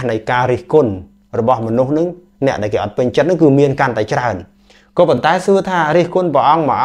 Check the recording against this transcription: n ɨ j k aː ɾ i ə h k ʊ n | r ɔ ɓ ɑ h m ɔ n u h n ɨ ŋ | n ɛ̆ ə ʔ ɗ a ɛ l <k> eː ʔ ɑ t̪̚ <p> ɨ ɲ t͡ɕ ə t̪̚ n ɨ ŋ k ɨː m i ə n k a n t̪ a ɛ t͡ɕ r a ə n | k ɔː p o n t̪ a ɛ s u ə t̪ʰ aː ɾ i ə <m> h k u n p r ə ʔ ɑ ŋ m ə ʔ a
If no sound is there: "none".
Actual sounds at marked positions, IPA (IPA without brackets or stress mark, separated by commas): k, p, none